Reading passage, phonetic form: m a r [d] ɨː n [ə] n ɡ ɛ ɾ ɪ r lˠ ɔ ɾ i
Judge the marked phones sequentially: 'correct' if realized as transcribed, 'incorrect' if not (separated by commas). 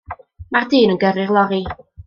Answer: correct, correct